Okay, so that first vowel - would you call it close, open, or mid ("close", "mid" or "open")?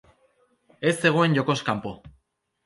mid